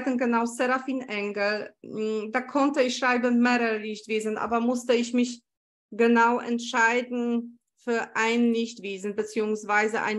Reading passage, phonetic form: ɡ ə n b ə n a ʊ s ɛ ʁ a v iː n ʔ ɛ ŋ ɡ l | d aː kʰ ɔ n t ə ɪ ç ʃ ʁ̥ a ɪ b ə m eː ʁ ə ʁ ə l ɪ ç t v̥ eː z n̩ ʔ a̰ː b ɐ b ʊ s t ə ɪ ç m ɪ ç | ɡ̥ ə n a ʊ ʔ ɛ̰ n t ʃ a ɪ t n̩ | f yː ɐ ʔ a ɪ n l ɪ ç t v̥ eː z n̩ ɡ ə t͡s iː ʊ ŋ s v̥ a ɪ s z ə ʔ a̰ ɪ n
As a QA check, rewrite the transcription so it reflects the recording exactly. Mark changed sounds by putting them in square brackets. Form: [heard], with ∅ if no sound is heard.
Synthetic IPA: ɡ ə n [ɡ] ə n a ʊ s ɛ ʁ a [f] iː n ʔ ɛ ŋ ɡ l | d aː kʰ ɔ n t ə ɪ ç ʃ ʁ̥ a ɪ b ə m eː ʁ ə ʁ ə l ɪ ç t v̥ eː z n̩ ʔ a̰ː b ɐ [m] ʊ s t ə ɪ ç m ɪ ç | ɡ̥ ə n a ʊ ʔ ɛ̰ n t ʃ a ɪ [d] n̩ | f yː ɐ ʔ a ɪ n l ɪ ç t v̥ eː z n̩ [b] ə t͡s iː ʊ ŋ s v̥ a ɪ [∅] z ə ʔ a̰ ɪ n